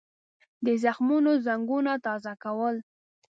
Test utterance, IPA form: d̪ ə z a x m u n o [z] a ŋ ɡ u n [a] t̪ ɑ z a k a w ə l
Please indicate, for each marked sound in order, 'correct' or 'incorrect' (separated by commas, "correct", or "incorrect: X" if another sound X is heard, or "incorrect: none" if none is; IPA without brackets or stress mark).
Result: correct, correct